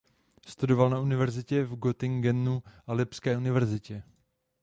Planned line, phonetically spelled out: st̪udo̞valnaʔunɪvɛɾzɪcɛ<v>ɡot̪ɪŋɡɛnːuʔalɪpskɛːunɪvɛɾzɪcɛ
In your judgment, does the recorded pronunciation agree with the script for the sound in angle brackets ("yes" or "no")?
yes